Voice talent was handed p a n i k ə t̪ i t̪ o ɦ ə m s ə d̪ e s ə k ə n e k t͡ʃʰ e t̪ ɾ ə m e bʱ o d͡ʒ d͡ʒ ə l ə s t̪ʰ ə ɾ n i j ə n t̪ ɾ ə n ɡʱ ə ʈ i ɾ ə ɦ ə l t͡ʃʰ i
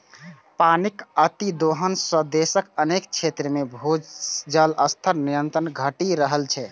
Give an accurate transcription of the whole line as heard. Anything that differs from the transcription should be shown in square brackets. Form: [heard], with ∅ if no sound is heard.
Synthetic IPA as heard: p a n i k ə t̪ i [d̪] o ɦ ə [n] s ə d̪ e s ə k ə n e k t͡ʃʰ e t̪ ɾ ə m e bʱ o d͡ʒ d͡ʒ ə l ə s t̪ʰ ə ɾ n i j ə n t̪ ɾ ə n ɡʱ ə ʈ i ɾ ə ɦ ə l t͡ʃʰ [ɛ]

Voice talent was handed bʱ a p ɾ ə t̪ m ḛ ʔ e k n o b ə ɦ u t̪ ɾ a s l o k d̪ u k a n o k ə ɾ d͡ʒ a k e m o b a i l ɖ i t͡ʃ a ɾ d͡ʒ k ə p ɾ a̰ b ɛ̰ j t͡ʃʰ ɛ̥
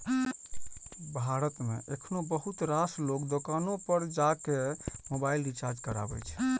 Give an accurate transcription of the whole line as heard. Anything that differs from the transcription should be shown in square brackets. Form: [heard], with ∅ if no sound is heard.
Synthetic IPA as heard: bʱ a [∅] ɾ ə t̪ m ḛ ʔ e [kʰ] n o b ə ɦ u t̪ ɾ a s l o k d̪ [o] k a n o [p] ə ɾ d͡ʒ a k e m o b a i l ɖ i t͡ʃ a ɾ d͡ʒ k ə [∅] ɾ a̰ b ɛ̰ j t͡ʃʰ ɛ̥

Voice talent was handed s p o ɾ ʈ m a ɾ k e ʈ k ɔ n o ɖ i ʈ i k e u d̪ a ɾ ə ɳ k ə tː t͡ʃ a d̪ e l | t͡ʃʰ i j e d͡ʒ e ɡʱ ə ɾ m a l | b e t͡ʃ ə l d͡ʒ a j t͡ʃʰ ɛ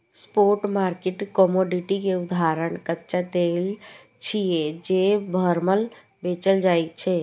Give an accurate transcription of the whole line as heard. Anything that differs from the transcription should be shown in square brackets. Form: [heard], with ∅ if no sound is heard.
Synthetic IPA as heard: s p o ɾ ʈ m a ɾ k e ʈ k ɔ [m] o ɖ i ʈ i k e u d̪ a ɾ ə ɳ k ə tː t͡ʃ a d̪ e l | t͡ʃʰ i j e d͡ʒ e [bʱ] ə ɾ m [ə] l | b e t͡ʃ ə l d͡ʒ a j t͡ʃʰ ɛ

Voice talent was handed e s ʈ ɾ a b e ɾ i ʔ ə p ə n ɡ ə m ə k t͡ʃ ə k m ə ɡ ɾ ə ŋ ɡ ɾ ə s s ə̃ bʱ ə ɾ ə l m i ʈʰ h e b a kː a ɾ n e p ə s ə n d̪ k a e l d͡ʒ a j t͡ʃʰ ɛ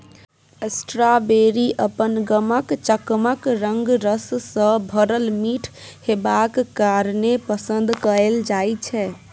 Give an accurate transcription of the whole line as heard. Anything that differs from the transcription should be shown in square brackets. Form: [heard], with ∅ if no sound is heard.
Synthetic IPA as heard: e s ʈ ɾ a b e ɾ i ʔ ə p ə n ɡ ə m ə k t͡ʃ ə k m ə [k] ɾ ə ŋ ɡ ɾ ə s s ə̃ bʱ ə ɾ ə l m i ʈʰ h e b a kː a ɾ n e p ə s ə n d̪ k [ə] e l d͡ʒ a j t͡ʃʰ ɛ

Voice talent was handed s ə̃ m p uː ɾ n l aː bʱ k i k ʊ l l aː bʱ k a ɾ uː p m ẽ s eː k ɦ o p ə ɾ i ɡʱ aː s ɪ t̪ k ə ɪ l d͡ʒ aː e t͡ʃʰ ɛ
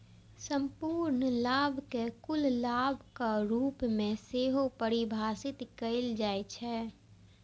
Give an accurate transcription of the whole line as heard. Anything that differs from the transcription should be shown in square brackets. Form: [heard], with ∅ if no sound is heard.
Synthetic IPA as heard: s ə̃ m p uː ɾ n l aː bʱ k [e] k ʊ l l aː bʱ k a ɾ uː p m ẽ s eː [∅] ɦ o p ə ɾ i [bʱ] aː s ɪ t̪ k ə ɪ l d͡ʒ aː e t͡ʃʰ ɛ

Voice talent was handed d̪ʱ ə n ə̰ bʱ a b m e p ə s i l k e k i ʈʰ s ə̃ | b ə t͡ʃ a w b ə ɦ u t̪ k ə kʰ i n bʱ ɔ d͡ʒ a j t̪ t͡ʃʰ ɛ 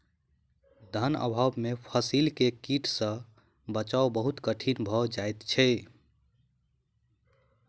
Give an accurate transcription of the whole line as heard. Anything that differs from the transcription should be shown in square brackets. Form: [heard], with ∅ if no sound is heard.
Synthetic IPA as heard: d̪ʱ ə n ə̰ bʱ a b m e [pʰ] ə s i l k e k i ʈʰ s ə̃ | b ə t͡ʃ a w b ə ɦ u t̪ k ə [ʈʰ] i n bʱ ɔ d͡ʒ a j t̪ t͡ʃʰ ɛ

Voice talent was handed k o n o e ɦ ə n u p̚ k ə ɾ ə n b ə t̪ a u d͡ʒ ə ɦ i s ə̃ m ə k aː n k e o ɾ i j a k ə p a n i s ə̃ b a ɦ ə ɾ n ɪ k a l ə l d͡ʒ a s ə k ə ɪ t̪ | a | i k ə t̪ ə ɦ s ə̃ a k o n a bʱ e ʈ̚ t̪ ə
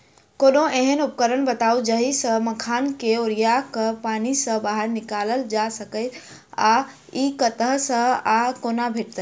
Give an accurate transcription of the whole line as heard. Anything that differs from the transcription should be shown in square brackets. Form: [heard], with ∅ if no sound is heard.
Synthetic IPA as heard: k o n o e ɦ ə n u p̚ k ə ɾ ə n b ə t̪ a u d͡ʒ ə ɦ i s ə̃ m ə [kʰ] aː n k e o ɾ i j a k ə p a n i s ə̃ b a ɦ ə ɾ n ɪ k a l ə l d͡ʒ a s ə k ə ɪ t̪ | a | i k ə t̪ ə ɦ s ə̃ a k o n a bʱ e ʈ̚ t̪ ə

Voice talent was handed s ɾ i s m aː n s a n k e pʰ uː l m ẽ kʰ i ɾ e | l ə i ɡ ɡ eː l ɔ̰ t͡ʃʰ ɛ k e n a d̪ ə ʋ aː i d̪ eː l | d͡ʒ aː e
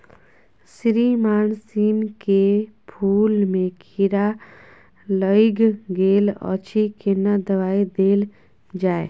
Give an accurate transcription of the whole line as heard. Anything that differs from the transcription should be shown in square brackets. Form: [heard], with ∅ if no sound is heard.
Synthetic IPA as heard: s ɾ i [∅] m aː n s [i] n k e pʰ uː l m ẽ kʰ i ɾ [a] | l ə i ɡ ɡ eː l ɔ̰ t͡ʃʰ [i] k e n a d̪ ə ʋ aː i d̪ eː l | d͡ʒ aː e

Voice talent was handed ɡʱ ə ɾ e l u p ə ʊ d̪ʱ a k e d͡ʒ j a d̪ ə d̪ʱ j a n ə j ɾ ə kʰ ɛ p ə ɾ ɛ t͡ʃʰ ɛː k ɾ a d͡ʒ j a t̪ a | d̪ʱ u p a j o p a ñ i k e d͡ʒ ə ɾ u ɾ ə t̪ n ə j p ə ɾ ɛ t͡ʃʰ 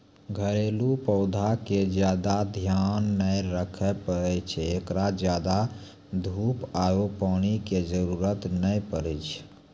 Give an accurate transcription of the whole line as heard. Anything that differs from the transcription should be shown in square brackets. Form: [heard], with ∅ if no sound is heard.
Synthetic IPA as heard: ɡʱ ə ɾ e l u p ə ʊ d̪ʱ a k e d͡ʒ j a d̪ [a] d̪ʱ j a [nː] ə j ɾ ə kʰ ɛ p ə ɾ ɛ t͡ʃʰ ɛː k ɾ a d͡ʒ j a [d̪] a | d̪ʱ u p a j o p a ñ i k e d͡ʒ ə ɾ u ɾ ə t̪ n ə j p ə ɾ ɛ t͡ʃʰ

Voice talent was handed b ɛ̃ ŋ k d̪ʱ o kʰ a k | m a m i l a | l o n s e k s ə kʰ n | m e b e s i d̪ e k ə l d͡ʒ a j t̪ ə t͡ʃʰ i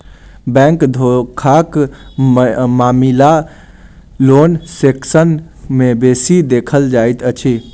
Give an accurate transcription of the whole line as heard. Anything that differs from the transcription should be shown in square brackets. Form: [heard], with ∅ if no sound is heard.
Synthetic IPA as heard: b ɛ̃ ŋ k d̪ʱ o kʰ a k | m a m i l a | l o n s e k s ə [∅] n | m e b e s i d̪ e [kʰ] ə l d͡ʒ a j t̪ ə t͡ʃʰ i

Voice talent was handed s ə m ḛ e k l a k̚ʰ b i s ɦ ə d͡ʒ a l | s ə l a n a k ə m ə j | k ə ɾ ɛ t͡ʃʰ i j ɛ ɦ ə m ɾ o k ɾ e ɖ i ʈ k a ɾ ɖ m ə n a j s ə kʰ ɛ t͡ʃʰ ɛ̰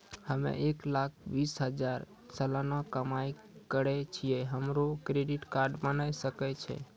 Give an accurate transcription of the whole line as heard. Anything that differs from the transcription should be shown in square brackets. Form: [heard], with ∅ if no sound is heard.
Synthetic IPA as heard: [h] ə m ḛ e k l a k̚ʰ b i s ɦ ə d͡ʒ a [ɾ] | s ə l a n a k ə m [a] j | k ə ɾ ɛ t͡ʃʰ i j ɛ ɦ ə m ɾ o k ɾ e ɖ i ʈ k a ɾ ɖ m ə n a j s ə [k] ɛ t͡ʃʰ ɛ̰

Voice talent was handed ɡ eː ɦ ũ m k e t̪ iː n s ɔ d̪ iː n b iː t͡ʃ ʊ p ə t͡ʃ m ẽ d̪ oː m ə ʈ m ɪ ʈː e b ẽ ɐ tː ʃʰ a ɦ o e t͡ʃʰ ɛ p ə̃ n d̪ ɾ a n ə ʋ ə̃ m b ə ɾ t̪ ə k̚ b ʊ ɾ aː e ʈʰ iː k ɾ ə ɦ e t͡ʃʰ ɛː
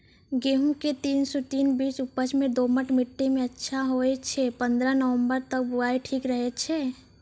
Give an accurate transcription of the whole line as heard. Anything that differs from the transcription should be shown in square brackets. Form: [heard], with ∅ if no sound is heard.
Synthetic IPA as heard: ɡ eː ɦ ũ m k e t̪ iː n s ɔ [t̪] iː n b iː t͡ʃ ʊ p ə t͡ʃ m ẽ d̪ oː m ə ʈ m ɪ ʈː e [m] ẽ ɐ tː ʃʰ a ɦ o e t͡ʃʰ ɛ p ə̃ n d̪ ɾ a n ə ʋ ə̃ m b ə ɾ t̪ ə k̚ b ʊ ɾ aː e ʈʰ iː k ɾ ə ɦ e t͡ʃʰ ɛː

